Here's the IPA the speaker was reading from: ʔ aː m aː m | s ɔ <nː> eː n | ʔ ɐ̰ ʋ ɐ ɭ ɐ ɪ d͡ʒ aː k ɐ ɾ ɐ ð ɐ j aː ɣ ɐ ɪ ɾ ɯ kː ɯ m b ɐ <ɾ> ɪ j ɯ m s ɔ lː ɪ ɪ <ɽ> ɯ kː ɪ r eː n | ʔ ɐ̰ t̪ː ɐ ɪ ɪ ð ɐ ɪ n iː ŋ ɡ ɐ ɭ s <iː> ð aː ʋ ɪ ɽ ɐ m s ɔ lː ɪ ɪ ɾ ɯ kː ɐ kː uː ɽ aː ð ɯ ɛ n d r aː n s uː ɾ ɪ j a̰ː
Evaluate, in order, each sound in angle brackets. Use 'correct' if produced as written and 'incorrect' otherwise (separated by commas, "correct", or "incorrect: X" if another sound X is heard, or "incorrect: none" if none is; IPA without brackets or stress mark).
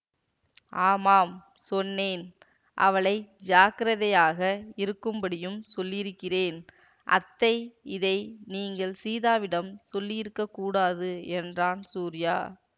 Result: correct, incorrect: ɽ, incorrect: ɾ, correct